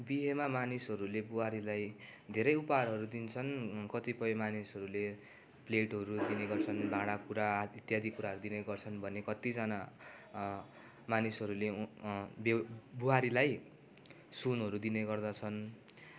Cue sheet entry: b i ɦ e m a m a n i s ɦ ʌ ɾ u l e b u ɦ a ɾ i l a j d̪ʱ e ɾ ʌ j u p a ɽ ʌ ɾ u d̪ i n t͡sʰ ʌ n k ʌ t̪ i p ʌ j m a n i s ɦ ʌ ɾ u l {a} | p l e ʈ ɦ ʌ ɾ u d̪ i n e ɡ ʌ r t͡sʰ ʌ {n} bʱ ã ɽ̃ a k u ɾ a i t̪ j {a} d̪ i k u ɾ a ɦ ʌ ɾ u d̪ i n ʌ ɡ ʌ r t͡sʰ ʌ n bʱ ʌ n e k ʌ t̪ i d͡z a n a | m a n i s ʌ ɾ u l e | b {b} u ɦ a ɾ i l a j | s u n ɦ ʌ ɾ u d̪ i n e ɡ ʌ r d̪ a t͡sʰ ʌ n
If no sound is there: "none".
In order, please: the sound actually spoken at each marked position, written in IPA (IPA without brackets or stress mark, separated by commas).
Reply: e, n, a, b